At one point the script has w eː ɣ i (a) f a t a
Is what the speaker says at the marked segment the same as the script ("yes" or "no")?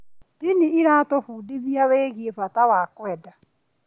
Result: no